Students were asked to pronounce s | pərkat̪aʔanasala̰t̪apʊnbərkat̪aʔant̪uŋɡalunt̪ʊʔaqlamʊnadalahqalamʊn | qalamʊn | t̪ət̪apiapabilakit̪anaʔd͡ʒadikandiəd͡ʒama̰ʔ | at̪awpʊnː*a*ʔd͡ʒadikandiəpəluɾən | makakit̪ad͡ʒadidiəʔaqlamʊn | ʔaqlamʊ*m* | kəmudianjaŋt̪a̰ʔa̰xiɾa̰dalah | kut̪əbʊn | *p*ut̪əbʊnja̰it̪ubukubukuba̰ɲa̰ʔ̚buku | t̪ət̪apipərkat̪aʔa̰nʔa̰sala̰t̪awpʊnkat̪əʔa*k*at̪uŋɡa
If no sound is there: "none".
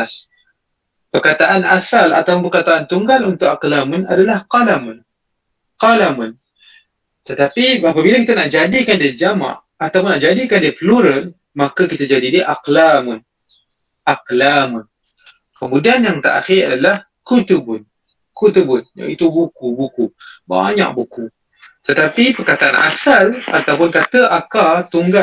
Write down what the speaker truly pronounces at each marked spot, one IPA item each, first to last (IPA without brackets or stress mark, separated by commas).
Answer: a, n, k, k